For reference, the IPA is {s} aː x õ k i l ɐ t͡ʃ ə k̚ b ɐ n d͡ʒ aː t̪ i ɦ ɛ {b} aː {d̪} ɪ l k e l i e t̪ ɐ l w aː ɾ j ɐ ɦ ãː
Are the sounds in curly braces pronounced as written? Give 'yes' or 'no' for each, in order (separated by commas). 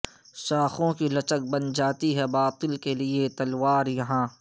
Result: no, yes, no